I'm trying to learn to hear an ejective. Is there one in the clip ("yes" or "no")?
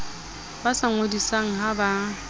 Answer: no